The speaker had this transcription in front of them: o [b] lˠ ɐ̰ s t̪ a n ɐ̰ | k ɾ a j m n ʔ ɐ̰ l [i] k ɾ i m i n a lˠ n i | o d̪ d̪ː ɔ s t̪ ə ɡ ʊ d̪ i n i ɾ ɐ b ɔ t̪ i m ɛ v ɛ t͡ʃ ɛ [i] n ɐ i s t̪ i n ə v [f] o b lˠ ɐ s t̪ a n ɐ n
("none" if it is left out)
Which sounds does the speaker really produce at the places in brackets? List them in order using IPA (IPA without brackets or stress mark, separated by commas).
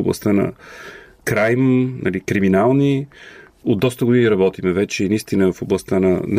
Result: b, i, i, f